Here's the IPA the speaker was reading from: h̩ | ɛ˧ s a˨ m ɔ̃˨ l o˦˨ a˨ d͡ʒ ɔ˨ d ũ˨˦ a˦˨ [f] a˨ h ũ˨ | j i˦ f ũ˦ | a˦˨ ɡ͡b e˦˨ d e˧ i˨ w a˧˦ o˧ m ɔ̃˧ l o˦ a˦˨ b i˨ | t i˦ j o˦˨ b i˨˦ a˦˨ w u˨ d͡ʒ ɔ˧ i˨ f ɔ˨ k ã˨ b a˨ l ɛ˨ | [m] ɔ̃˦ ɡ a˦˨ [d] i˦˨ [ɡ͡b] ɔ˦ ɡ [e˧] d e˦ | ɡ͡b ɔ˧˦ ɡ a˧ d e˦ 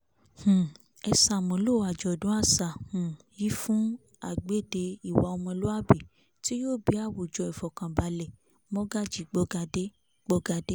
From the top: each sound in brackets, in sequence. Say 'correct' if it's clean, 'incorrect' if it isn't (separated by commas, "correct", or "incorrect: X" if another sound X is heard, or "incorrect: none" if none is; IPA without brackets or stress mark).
incorrect: s, correct, incorrect: d͡ʒ, correct, incorrect: a˧